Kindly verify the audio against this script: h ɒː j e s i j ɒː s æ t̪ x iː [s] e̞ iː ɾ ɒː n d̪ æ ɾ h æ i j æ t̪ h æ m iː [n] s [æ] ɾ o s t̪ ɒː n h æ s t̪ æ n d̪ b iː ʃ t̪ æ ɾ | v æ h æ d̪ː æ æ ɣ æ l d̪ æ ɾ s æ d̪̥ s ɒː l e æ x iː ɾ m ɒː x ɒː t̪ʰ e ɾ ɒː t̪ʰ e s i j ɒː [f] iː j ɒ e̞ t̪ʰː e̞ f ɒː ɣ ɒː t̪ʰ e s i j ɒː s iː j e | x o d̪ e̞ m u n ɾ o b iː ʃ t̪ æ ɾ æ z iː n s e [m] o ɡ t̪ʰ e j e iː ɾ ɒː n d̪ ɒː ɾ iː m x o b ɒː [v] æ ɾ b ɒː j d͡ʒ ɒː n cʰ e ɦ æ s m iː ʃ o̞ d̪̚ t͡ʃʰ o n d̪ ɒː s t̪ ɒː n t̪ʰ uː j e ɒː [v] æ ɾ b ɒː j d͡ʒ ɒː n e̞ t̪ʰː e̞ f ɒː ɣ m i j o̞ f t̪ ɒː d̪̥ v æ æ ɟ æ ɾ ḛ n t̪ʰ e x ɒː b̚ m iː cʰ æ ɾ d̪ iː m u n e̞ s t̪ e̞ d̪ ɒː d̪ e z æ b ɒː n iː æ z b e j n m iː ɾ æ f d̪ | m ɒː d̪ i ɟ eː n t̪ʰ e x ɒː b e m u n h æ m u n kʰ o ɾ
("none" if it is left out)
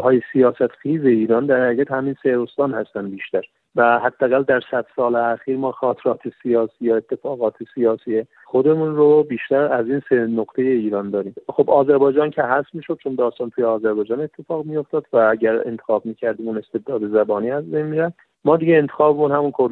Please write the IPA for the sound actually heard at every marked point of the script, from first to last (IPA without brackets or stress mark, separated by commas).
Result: z, n, e, s, n, z, z